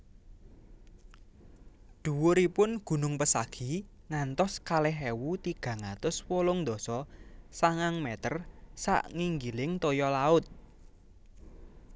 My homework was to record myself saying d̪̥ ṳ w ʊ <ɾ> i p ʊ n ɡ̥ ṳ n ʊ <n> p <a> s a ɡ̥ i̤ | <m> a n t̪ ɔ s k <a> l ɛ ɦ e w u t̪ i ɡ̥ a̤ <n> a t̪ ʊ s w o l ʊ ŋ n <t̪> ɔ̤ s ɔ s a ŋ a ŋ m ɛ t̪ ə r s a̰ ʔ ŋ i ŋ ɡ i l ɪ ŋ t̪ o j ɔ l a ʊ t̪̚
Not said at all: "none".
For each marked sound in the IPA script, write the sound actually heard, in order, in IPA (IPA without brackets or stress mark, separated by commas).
ɾ, ŋ, ə, ŋ, a, ŋ, d̪